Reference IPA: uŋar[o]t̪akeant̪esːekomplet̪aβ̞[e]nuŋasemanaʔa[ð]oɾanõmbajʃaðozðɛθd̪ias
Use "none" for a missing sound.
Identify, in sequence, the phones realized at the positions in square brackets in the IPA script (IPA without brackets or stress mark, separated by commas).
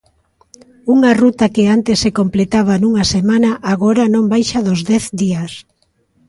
u, a, ɣ